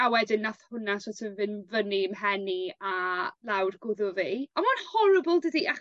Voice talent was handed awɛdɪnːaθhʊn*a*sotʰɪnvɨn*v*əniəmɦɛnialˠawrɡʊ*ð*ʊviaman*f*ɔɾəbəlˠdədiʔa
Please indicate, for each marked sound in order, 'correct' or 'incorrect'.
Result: correct, correct, correct, incorrect: h

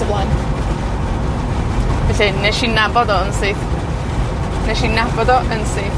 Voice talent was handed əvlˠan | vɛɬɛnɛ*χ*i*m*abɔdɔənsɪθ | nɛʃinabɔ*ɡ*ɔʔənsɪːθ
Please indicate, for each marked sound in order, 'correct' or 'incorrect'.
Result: incorrect: ʃ, incorrect: n, incorrect: d

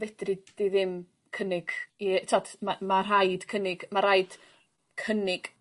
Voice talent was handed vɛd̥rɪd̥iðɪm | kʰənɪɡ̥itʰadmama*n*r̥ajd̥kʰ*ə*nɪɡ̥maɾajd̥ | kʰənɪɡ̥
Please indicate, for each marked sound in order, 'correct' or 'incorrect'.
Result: incorrect: none, correct

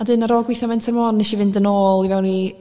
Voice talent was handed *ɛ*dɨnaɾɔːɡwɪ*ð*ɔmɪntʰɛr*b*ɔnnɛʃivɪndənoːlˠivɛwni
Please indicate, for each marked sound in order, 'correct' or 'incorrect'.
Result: incorrect: a, incorrect: θ, incorrect: m

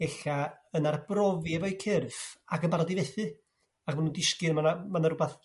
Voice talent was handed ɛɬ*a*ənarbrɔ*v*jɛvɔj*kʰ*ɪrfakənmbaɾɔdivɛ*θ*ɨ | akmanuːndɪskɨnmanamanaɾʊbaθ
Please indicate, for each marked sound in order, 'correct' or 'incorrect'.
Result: correct, correct, correct, correct

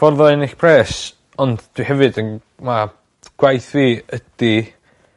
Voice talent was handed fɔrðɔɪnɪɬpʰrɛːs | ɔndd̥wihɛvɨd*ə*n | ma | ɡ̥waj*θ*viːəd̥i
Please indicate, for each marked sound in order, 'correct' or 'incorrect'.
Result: correct, correct

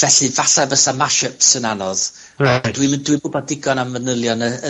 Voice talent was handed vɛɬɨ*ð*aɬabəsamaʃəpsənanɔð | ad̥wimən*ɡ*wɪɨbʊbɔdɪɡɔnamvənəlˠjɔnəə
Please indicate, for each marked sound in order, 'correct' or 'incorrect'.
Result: incorrect: v, incorrect: d

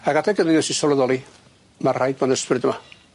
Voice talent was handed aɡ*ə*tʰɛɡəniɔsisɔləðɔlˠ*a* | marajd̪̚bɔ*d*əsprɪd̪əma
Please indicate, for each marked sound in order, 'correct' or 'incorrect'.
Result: incorrect: a, incorrect: i, incorrect: n

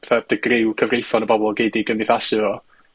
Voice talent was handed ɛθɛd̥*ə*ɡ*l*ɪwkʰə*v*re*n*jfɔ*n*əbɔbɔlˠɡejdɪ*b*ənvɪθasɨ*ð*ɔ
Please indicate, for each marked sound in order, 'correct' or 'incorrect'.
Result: correct, incorrect: r, correct, incorrect: none, correct, incorrect: ɡ, incorrect: v

